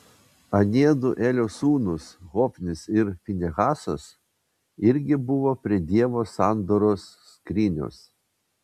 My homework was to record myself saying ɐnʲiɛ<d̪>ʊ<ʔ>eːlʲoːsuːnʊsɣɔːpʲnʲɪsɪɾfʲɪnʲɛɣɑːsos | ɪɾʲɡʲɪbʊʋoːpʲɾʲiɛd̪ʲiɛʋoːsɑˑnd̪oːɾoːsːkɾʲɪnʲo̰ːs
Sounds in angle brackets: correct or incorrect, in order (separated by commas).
correct, correct